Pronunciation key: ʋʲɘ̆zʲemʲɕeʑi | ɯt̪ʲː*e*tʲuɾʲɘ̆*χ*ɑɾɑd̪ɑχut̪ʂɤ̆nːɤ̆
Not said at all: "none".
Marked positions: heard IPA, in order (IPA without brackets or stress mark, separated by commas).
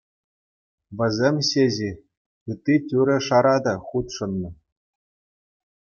i, ʂ